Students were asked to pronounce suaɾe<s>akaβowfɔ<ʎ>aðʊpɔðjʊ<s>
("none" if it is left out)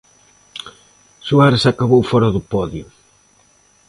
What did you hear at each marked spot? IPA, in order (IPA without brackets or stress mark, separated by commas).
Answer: s, ɾ, none